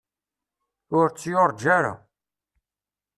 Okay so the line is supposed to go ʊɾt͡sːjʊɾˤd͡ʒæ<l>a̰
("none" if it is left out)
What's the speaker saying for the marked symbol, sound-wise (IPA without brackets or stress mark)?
ɾ